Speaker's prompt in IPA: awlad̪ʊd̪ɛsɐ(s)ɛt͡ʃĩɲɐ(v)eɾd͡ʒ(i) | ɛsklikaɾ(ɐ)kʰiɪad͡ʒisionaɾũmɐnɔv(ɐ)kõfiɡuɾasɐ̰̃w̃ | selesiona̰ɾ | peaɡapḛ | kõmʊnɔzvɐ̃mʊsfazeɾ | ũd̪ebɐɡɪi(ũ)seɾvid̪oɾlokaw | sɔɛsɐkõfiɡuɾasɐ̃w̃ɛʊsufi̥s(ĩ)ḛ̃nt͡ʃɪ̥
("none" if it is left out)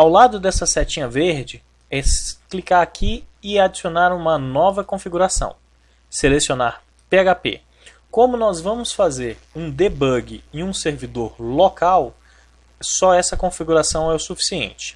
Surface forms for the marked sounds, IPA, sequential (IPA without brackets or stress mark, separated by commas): s, v, ɪ, a, ɐ, ũ, i